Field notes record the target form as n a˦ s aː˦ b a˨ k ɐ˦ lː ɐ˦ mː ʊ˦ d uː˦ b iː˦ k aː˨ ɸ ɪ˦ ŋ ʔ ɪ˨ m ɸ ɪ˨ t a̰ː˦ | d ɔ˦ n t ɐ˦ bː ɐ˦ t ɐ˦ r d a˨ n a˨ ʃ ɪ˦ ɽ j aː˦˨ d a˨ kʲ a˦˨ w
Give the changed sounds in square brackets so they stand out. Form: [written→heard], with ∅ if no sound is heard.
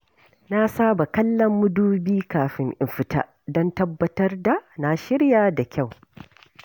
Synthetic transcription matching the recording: n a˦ s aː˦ b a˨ k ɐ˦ lː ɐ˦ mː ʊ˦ d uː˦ b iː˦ k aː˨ ɸ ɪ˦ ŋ ʔ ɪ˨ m ɸ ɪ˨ t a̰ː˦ | d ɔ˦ n t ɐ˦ bː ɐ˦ t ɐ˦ r d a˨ n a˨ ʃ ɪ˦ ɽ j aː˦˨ d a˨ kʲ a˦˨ w